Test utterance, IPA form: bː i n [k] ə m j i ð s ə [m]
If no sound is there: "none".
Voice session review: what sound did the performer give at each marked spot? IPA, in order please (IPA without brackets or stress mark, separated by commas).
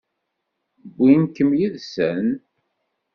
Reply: k, n